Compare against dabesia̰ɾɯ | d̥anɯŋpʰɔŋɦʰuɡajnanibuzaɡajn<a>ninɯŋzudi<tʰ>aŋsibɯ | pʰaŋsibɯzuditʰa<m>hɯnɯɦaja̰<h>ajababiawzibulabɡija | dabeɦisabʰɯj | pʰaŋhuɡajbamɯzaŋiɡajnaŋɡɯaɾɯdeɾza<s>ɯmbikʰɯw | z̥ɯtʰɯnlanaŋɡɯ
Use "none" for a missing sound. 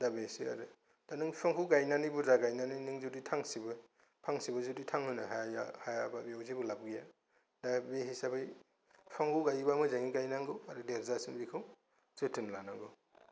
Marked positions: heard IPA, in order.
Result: a, tʰ, ŋ, h, s

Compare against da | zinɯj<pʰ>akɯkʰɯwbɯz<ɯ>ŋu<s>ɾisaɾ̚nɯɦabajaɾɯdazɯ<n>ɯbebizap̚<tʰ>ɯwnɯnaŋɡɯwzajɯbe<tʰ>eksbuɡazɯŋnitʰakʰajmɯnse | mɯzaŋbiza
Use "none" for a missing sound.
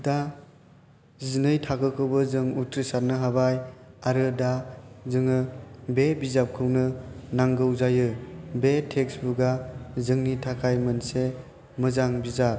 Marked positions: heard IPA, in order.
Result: tʰ, ɯ, t, ŋ, kʰ, tʰ

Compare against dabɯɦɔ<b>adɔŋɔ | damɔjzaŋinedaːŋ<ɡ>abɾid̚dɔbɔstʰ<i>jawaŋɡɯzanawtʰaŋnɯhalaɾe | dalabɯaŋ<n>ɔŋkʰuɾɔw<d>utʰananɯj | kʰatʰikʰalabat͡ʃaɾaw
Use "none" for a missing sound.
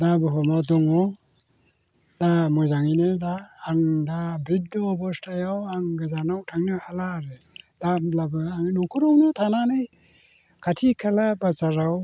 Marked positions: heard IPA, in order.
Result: m, d, a, n, n

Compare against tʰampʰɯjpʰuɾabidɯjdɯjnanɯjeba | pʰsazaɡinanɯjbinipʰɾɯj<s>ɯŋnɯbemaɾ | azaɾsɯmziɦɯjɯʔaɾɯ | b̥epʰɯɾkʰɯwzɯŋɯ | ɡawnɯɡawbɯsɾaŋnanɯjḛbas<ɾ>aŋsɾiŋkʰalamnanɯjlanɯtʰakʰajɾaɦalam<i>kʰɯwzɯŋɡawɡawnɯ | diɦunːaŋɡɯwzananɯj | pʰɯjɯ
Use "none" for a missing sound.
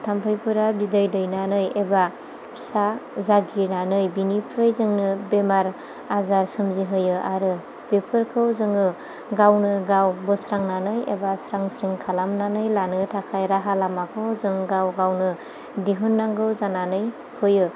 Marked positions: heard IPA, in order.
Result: z, ɾ, a

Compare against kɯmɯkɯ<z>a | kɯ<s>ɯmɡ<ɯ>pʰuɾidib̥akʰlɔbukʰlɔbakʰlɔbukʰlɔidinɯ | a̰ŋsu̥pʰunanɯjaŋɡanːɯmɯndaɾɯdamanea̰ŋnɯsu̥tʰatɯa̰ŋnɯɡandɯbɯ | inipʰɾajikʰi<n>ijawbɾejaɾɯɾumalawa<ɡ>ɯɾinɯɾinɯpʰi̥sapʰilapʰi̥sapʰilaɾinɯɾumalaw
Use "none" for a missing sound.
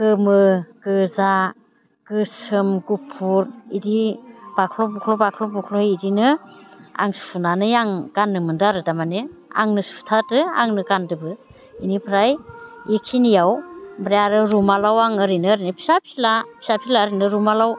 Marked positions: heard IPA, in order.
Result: z, s, u, n, ŋ

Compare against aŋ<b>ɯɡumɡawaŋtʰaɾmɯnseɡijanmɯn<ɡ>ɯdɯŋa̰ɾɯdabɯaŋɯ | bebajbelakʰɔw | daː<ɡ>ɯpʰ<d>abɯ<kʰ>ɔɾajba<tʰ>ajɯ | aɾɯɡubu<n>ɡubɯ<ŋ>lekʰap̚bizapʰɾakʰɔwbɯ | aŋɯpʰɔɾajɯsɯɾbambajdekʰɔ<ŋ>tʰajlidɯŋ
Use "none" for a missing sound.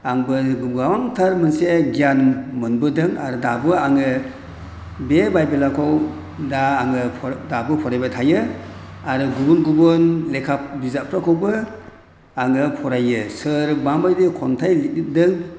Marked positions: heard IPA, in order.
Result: b, b, ŋ, d, pʰ, tʰ, n, n, n

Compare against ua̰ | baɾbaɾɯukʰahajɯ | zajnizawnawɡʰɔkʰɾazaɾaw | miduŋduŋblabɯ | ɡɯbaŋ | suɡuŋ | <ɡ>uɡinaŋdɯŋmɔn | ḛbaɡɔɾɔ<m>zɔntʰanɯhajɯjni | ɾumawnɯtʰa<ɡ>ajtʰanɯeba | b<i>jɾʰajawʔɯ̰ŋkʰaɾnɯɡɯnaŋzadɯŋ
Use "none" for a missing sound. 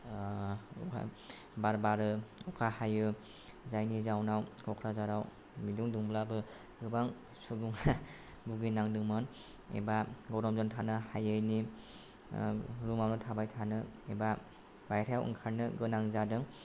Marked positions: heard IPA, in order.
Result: b, m, b, a

